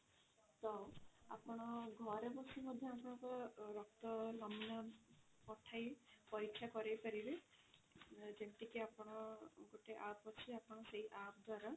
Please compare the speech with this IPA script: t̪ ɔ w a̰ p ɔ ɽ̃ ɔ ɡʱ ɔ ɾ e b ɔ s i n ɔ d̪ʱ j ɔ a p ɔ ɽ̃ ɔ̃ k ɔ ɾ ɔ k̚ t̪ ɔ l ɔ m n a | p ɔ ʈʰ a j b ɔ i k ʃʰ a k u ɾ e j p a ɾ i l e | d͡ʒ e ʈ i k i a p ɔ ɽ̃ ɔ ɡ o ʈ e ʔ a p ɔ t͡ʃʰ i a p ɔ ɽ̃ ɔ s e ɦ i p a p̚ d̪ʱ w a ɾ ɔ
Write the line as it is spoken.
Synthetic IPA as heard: t̪ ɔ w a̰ p ɔ ɽ̃ ɔ ɡʱ ɔ ɾ e b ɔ s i m ɔ d̪ʱ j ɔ a p ɔ ɽ̃ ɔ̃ k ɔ ɾ ɔ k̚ t̪ ɔ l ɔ m n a | p ɔ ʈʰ a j p ɔ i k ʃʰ a k ɔ ɾ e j p a ɾ i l e | d͡ʒ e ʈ i k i a p ɔ ɽ̃ ɔ ɡ o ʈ e ʔ a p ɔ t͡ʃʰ i a p ɔ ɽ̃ ɔ s e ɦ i ʔ a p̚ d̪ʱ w a ɾ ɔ